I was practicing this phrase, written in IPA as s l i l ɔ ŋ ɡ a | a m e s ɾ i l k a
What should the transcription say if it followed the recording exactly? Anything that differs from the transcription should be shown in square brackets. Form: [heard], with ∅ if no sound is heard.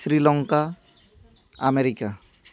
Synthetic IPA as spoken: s [ɾ] i l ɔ ŋ [k] a | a m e [∅] ɾ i [∅] k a